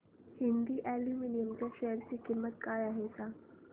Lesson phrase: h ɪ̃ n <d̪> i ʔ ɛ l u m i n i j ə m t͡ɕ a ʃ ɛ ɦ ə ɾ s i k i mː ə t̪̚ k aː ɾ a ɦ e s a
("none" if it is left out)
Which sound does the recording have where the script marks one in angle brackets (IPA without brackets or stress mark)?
d̪